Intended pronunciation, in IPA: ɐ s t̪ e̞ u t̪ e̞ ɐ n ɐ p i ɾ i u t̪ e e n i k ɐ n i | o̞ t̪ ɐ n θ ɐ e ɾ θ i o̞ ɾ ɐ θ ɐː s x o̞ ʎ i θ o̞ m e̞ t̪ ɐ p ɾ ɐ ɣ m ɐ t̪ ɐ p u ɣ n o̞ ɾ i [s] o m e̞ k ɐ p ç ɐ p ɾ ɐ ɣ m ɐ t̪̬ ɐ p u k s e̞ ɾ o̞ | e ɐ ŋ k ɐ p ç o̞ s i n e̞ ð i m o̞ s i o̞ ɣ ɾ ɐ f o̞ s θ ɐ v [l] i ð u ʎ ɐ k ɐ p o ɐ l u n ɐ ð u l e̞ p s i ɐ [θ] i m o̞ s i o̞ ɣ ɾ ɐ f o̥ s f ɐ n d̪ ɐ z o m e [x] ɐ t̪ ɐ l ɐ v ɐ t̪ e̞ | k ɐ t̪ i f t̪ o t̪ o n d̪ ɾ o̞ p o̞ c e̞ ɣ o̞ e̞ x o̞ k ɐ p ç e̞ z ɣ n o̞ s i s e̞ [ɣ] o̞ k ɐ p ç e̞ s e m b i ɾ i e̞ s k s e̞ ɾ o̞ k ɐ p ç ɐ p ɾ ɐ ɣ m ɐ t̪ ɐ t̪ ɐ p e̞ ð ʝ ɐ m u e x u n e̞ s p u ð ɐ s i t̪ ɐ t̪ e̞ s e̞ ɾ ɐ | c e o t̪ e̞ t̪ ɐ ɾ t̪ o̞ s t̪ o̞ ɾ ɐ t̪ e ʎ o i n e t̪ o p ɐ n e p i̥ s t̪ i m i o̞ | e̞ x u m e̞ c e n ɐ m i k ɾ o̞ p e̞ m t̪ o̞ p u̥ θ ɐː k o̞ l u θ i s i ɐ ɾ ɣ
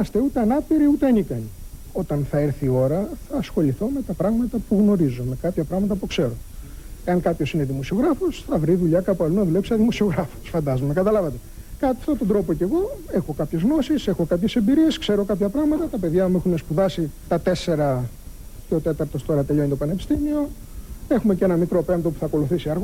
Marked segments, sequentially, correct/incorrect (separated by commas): incorrect, incorrect, incorrect, incorrect, incorrect